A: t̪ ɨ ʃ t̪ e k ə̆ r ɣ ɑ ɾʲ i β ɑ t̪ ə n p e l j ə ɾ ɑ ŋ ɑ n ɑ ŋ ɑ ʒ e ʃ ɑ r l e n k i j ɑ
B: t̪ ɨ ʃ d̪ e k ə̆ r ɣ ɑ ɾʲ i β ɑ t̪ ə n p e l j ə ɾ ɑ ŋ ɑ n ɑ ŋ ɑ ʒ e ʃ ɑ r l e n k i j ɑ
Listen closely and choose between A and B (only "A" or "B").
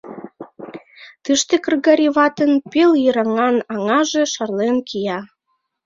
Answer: A